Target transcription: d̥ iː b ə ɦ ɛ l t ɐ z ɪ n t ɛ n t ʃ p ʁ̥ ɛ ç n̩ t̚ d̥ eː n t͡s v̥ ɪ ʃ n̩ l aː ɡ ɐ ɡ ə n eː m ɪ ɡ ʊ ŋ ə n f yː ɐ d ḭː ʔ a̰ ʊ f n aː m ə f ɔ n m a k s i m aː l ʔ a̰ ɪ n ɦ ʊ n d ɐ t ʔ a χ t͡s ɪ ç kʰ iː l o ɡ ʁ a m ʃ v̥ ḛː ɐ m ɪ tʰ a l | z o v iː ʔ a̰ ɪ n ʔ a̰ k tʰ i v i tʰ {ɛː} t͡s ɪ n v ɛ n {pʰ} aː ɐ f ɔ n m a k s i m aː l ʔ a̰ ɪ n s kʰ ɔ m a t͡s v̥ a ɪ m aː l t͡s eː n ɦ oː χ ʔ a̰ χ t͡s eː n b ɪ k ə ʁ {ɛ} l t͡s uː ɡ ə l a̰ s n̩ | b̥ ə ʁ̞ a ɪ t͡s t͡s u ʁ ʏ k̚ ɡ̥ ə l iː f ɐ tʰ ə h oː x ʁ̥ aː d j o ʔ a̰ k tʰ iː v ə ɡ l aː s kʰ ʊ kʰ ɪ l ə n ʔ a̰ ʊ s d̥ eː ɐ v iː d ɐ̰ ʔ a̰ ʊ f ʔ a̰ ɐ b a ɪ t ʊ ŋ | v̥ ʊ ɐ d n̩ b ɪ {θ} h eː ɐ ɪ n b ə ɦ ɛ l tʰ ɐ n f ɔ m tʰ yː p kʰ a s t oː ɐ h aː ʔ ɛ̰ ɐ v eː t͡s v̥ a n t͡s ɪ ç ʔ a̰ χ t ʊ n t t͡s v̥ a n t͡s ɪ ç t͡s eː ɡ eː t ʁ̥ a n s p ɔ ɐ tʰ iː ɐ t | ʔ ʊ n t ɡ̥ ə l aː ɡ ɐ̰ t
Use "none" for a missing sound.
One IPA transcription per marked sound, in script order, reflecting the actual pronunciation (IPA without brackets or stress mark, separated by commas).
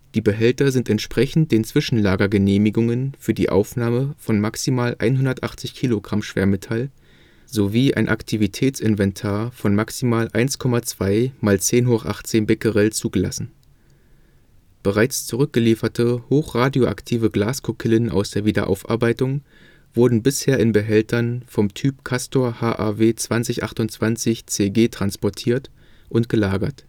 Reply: ɛː, tʰ, ɛ, s